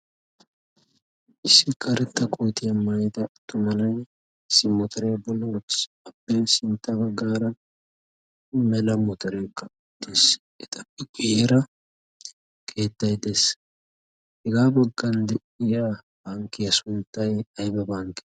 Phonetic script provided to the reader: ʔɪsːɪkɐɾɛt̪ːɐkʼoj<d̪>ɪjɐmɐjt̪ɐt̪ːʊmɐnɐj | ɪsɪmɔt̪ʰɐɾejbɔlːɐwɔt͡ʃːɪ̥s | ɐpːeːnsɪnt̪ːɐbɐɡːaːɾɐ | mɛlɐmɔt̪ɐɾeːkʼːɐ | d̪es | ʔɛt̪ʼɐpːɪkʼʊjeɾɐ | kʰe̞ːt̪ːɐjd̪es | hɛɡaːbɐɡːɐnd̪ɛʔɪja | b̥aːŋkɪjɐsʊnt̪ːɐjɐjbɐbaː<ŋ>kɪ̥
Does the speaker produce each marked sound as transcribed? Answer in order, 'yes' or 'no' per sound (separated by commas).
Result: no, yes